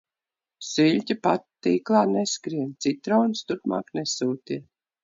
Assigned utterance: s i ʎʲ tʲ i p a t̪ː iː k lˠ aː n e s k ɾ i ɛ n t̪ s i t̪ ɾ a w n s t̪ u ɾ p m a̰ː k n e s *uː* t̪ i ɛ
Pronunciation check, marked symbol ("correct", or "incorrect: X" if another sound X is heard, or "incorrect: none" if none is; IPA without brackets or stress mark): correct